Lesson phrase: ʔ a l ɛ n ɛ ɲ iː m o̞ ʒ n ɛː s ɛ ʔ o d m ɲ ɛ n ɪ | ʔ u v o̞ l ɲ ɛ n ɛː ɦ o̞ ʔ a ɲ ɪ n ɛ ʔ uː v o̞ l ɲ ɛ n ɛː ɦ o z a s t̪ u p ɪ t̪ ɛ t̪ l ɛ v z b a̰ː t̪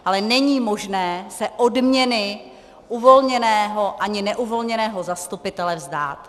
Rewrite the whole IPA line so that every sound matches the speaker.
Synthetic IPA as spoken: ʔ a l ɛ n ɛ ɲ iː m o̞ ʒ n ɛː s ɛ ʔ o d m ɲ ɛ n ɪ | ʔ u v o̞ l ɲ ɛ n ɛː ɦ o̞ ʔ a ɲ ɪ n ɛ ʔ u v o̞ l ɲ ɛ n ɛː ɦ o z a s t̪ u p ɪ t̪ ɛ l ɛ v z d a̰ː t̪